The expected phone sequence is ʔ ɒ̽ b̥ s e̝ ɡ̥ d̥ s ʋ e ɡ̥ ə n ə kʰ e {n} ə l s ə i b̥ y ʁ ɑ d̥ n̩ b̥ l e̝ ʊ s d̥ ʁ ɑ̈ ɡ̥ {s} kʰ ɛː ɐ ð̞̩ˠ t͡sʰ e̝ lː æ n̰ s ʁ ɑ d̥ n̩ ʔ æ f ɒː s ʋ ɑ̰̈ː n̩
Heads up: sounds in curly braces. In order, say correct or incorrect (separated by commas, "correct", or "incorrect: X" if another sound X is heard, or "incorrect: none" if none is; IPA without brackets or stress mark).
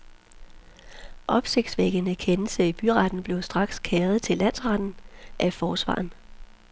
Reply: correct, correct